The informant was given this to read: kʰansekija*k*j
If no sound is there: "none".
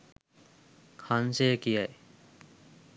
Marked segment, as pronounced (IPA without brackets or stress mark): none